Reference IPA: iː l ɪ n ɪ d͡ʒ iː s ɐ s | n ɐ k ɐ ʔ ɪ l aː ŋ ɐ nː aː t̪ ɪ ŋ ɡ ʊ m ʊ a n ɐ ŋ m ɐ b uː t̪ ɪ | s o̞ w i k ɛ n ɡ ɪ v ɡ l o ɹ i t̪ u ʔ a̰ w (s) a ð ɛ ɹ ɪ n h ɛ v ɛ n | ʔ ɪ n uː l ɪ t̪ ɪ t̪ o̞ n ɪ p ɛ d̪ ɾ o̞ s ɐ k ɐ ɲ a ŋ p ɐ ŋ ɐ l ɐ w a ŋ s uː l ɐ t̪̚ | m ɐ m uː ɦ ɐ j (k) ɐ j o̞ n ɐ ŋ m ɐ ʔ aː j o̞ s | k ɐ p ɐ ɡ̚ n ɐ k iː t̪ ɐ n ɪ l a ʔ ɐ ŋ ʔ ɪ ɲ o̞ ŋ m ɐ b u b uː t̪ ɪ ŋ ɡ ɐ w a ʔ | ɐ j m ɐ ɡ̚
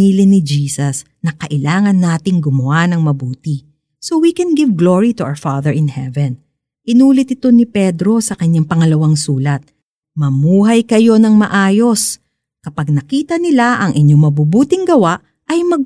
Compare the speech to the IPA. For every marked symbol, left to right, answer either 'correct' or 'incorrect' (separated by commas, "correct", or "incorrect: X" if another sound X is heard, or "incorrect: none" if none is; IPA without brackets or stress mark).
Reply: incorrect: f, correct